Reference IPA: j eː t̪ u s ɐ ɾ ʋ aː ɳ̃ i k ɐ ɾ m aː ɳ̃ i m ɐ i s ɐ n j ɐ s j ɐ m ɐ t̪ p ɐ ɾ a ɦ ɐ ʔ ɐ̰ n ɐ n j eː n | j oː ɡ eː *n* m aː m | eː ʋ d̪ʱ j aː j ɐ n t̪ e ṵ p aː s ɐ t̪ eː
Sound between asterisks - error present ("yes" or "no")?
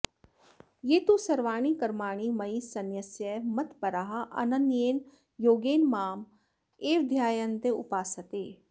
no